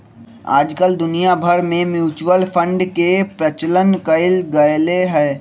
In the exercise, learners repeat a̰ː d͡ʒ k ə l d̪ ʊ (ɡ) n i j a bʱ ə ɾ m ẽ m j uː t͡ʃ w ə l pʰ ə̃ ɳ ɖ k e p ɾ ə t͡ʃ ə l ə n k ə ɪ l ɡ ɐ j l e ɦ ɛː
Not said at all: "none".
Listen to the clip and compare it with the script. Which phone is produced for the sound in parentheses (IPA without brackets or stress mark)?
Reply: none